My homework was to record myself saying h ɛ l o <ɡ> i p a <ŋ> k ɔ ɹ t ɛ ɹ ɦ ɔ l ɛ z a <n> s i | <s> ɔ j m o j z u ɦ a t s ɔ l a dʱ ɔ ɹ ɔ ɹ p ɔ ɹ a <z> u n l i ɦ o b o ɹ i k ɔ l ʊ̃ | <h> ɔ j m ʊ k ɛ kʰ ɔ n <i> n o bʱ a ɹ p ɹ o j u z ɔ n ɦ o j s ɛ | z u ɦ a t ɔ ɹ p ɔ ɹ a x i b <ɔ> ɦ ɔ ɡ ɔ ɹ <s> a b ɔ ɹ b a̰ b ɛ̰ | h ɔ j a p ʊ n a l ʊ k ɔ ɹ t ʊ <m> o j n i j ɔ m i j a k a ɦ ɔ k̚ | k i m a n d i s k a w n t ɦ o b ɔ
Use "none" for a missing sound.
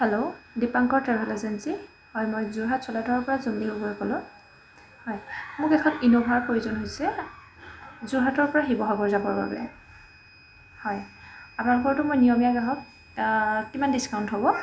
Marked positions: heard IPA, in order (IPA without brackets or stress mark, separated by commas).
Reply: d, ŋ, n, h, z, h, i, ɔ, z, m